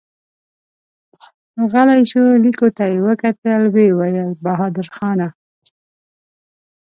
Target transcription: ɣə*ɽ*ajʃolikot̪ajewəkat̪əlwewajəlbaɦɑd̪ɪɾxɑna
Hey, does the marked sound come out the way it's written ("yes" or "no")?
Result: no